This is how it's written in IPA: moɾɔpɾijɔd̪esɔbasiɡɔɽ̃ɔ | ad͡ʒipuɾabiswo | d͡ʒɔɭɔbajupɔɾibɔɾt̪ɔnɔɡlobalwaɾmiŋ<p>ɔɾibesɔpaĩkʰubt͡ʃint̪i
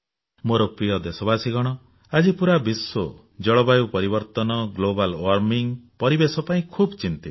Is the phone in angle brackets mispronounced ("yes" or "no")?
no